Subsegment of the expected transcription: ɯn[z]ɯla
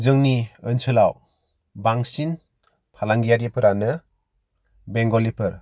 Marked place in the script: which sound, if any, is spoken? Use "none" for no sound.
s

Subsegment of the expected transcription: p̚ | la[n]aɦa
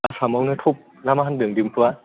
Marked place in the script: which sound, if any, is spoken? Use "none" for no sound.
m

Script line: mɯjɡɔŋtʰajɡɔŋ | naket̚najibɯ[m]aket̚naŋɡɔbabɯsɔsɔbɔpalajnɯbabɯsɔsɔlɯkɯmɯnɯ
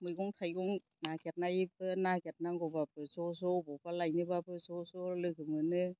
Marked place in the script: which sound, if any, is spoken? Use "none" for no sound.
n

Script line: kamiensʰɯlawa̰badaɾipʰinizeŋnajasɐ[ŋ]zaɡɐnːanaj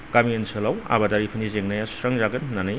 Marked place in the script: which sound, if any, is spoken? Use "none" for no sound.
ŋ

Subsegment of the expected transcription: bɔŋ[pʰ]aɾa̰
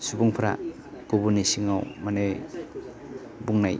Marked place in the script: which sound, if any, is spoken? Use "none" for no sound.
pʰ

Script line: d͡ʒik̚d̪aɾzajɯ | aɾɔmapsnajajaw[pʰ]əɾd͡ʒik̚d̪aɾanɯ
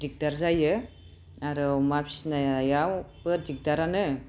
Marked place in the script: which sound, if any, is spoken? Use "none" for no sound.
p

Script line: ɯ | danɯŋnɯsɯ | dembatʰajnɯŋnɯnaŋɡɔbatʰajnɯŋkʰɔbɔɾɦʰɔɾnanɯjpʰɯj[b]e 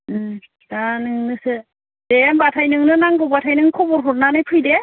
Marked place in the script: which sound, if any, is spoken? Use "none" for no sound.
d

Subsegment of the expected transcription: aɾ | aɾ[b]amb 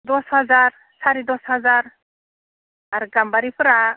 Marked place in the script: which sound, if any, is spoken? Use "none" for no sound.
ɡ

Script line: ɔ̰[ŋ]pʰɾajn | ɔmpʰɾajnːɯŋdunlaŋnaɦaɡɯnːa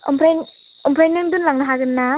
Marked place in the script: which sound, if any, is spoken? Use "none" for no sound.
m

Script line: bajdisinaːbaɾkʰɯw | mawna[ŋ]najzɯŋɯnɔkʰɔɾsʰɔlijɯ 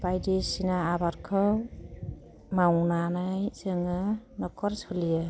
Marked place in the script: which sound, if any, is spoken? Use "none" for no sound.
none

